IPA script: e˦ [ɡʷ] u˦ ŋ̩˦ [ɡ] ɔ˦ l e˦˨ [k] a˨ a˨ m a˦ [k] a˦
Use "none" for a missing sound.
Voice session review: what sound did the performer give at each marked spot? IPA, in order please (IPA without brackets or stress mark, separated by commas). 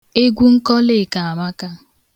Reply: ɡʷ, k, k, k